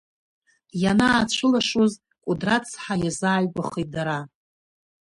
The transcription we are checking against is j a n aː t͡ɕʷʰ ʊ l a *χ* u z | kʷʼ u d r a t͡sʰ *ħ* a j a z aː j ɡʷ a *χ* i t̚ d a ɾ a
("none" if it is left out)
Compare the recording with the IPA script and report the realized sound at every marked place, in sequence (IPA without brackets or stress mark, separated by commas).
ʂ, ħ, χ